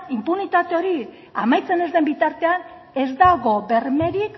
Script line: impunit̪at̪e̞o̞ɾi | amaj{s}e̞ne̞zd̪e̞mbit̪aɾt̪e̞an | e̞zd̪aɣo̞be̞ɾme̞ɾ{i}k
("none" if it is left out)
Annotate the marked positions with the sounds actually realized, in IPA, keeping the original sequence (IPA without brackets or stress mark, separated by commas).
t͡s, i